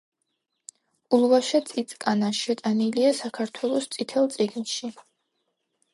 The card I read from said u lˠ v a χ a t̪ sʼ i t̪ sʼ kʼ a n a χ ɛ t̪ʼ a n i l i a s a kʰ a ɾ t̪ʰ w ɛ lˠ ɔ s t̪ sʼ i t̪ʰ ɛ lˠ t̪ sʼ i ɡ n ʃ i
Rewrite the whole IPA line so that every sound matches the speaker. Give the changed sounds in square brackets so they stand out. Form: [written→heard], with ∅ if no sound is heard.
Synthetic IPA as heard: u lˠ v a [χ→ʃ] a t̪ sʼ i t̪ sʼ kʼ a n a [χ→ʃ] ɛ t̪ʼ a n i l i a s a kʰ a ɾ t̪ʰ w ɛ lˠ ɔ s t̪ sʼ i t̪ʰ ɛ lˠ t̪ sʼ i ɡ n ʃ i